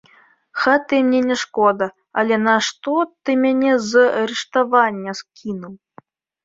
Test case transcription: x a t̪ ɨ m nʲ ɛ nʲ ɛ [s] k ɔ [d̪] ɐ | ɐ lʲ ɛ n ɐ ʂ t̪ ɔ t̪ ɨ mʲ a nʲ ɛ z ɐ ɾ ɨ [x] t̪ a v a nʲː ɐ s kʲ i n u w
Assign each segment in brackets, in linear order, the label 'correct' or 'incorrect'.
incorrect, correct, incorrect

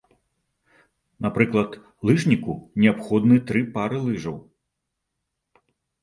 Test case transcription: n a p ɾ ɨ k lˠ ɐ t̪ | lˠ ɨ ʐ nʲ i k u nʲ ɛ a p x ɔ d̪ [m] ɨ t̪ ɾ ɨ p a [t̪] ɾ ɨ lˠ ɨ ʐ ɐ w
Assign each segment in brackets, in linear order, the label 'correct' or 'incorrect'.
incorrect, incorrect

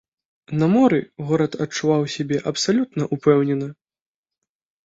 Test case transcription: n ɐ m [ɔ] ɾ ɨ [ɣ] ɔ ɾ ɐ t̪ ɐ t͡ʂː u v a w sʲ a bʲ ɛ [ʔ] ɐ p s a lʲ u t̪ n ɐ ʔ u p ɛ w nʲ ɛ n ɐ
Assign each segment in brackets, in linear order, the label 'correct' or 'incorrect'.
correct, correct, correct

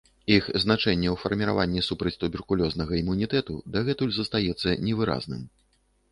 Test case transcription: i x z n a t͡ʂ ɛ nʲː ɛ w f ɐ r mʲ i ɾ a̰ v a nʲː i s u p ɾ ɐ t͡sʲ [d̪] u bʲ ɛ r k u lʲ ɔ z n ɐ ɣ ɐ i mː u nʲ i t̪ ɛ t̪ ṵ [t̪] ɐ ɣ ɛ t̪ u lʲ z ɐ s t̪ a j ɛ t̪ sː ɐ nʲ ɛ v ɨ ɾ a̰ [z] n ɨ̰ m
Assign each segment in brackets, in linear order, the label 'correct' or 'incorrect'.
incorrect, incorrect, correct

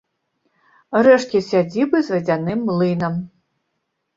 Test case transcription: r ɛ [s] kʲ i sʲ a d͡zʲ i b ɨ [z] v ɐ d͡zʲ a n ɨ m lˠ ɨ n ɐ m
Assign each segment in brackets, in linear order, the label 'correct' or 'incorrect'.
incorrect, correct

